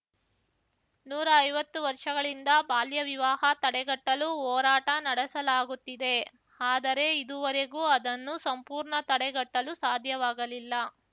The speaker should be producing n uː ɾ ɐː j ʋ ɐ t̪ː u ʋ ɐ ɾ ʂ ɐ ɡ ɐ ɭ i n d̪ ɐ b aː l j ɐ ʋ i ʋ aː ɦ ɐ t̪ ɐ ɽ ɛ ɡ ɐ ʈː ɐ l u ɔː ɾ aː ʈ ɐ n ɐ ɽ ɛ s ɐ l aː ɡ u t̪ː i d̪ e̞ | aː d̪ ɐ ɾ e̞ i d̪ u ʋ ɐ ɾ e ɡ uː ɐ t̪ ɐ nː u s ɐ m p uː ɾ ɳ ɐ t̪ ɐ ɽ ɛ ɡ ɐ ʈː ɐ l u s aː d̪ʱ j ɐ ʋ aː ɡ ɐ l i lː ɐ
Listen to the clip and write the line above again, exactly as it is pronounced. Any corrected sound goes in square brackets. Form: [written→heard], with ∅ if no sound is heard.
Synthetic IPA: n uː ɾ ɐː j ʋ ɐ t̪ː u ʋ ɐ ɾ ʂ ɐ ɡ ɐ ɭ i n d̪ ɐ b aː l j ɐ ʋ i ʋ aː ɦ ɐ t̪ ɐ ɽ ɛ ɡ ɐ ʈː ɐ l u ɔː ɾ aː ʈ ɐ n ɐ ɽ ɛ s ɐ l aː ɡ u t̪ː i d̪ e̞ | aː d̪ ɐ ɾ e̞ i d̪ u ʋ ɐ ɾ e ɡ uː ɐ [t̪→d̪] ɐ nː u s ɐ m p uː ɾ ɳ ɐ t̪ ɐ ɽ ɛ ɡ ɐ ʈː ɐ l u s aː d̪ʱ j ɐ ʋ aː ɡ ɐ l i lː ɐ